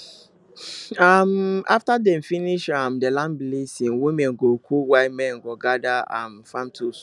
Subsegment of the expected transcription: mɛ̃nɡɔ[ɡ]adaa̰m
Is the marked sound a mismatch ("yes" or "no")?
no